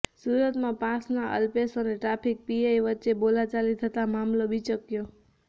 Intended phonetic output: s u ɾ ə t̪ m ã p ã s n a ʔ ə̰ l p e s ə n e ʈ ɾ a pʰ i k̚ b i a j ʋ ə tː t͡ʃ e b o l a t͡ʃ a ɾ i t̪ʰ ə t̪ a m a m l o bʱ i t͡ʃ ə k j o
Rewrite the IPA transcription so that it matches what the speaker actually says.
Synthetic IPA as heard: s u ɾ ə t̪ m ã p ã s n a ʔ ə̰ l p e s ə n e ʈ ɾ a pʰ i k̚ p i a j ʋ ə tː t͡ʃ e b o l a t͡ʃ a l i t̪ʰ ə t̪ a m a m l o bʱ i t͡ʃ ə k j o